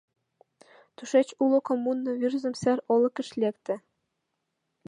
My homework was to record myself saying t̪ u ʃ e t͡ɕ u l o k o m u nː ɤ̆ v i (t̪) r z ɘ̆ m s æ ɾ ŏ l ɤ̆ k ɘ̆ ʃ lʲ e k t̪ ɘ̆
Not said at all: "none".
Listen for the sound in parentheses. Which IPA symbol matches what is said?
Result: none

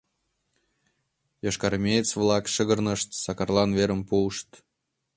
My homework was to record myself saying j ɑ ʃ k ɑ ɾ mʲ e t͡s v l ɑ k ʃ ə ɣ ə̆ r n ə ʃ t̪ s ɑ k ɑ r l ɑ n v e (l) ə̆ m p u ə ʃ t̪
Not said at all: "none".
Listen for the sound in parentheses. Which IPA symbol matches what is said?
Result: ɾ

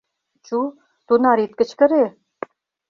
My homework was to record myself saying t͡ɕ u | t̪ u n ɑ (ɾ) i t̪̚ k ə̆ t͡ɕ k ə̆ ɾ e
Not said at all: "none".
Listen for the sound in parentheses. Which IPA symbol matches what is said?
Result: ɾ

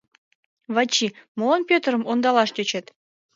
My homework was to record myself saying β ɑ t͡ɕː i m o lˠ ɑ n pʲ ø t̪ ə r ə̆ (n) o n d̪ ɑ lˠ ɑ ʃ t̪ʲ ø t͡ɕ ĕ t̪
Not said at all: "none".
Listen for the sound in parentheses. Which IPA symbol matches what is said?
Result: m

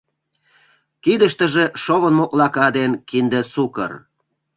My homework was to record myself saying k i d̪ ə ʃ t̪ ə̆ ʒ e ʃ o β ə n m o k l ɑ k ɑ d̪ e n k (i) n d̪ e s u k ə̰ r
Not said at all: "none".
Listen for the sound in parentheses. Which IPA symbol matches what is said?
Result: i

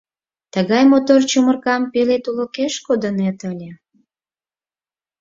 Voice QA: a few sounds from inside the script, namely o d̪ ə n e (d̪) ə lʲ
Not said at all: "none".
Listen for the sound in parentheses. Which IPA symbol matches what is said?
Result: t̪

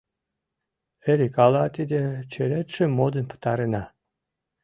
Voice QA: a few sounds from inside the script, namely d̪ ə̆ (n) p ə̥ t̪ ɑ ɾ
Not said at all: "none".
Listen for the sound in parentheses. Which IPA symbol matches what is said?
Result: n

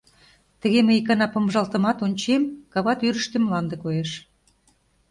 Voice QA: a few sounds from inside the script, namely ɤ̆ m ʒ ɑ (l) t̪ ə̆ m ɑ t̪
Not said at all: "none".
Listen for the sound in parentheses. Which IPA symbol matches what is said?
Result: l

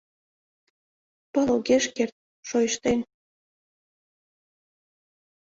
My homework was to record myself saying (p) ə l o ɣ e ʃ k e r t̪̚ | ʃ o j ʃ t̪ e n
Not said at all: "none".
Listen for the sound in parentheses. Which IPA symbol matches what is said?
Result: p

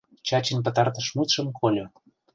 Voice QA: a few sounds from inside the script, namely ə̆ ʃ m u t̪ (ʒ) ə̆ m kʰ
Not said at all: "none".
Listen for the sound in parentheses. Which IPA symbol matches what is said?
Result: ʃ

